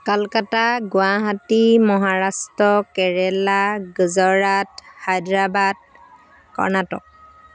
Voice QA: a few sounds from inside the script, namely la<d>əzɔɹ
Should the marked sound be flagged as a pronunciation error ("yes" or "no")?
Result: yes